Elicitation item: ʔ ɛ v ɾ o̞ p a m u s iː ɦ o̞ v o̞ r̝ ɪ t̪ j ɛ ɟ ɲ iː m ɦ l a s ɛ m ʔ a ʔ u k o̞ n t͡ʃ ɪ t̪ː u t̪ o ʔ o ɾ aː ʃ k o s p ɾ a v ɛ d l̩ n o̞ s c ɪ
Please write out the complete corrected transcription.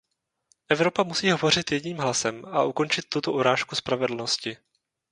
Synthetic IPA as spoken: ʔ ɛ v ɾ o̞ p a m u s iː ɦ o̞ v o̞ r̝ ɪ t̪ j ɛ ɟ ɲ iː m ɦ l a s ɛ m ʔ a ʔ u k o̞ n t͡ʃ ɪ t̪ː u t̪ o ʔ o ɾ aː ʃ k u s p ɾ a v ɛ d l̩ n o̞ s c ɪ